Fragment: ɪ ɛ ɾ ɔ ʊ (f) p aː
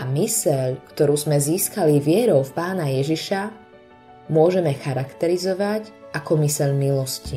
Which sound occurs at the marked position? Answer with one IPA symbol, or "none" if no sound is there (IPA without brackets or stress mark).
f